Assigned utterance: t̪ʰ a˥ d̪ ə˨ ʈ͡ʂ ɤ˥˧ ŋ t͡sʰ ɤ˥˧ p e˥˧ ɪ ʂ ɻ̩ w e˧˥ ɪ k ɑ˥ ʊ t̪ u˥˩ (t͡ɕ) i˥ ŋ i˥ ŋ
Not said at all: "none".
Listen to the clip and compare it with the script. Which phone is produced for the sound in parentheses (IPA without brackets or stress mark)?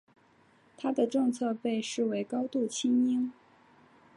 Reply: t͡ɕʰ